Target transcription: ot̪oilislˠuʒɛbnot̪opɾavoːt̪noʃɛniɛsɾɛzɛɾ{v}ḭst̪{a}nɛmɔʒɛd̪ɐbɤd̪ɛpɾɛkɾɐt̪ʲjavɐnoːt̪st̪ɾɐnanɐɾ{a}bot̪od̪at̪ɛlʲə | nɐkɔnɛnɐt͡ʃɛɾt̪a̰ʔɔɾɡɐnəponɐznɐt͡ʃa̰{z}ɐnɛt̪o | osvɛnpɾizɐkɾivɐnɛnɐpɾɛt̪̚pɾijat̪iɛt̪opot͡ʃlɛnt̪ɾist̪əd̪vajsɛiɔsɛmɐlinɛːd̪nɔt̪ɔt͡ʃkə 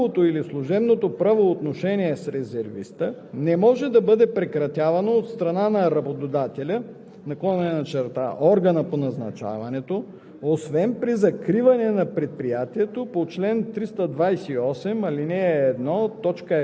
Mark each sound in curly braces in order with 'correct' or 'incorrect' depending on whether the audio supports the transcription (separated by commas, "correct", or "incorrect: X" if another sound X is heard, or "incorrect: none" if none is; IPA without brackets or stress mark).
correct, incorrect: ə, incorrect: ɐ, incorrect: v